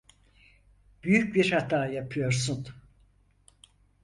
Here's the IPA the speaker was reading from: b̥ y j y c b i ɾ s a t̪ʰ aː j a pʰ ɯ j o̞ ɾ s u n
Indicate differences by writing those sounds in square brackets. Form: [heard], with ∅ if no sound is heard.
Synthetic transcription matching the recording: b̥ y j y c b i ɾ [h] a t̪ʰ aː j a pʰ ɯ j o̞ ɾ s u n